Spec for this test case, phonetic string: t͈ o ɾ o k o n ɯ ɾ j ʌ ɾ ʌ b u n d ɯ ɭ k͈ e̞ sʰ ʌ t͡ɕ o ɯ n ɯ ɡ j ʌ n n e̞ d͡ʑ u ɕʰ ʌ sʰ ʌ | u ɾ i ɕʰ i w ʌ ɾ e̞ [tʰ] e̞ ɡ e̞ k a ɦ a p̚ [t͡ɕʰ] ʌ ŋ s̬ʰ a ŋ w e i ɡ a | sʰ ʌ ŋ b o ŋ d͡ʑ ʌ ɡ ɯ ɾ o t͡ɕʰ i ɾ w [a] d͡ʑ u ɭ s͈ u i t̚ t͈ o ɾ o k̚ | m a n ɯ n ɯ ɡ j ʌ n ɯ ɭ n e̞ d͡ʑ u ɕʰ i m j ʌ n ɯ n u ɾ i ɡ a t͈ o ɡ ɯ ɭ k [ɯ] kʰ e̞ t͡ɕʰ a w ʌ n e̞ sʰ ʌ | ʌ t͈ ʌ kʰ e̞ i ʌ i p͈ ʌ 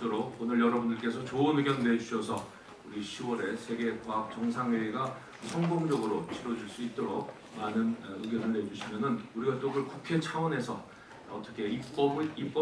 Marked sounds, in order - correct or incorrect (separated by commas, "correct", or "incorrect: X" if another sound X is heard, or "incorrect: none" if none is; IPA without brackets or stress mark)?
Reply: incorrect: sʰ, incorrect: t͡ɕ, incorrect: ʌ, incorrect: u